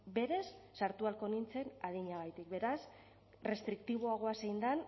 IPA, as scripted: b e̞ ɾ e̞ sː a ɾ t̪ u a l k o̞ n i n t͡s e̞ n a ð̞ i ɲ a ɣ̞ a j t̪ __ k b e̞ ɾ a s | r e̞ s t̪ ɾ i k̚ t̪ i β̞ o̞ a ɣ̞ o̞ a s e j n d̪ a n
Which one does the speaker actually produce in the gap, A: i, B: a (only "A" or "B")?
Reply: A